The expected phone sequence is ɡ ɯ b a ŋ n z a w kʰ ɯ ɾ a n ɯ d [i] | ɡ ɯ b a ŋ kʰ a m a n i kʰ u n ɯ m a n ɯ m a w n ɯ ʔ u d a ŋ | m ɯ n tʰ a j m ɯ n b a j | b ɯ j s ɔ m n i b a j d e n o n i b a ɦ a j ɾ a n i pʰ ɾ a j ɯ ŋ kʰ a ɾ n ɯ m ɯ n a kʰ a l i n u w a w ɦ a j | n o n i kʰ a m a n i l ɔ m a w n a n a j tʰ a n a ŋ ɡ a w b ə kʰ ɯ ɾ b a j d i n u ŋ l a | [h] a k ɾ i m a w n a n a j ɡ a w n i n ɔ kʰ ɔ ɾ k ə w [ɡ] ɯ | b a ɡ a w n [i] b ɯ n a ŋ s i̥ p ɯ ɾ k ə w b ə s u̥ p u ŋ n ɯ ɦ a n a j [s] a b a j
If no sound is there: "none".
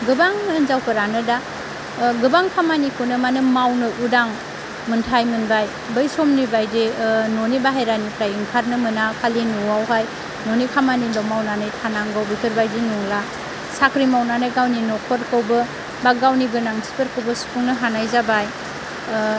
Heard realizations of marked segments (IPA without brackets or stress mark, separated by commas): a, s, b, i, z